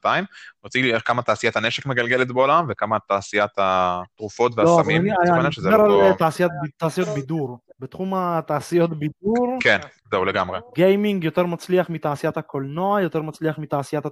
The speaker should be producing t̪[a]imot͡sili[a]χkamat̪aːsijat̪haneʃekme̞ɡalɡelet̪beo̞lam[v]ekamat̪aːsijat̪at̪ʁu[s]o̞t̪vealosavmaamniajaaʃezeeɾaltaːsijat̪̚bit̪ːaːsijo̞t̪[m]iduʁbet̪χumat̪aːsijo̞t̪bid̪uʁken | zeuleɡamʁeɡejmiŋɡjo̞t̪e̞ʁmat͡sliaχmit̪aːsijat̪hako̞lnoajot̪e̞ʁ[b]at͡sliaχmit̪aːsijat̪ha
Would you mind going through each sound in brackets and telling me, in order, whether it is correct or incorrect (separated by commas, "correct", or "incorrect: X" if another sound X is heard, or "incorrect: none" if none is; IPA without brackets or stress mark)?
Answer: correct, incorrect: e, correct, incorrect: f, incorrect: b, incorrect: m